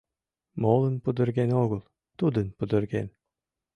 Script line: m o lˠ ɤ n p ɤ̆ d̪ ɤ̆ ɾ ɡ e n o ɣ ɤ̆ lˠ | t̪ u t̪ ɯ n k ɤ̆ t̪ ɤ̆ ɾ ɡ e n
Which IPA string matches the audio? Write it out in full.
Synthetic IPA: m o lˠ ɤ n p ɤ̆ d̪ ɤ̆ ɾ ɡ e n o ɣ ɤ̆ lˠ | t̪ u d̪ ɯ n p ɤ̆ d̪ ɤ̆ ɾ ɡ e n